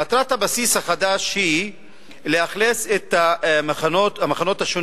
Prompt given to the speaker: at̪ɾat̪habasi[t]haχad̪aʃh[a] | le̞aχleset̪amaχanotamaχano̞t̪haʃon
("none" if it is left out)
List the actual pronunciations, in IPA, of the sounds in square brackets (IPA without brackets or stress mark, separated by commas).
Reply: s, i